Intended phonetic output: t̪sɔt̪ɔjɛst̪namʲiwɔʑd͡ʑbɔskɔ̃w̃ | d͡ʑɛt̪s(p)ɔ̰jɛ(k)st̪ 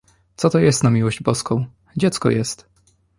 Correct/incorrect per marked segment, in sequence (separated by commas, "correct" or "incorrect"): incorrect, incorrect